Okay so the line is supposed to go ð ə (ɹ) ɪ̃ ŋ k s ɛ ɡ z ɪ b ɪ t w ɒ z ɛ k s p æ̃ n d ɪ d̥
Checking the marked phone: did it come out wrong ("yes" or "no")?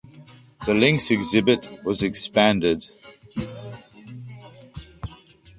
yes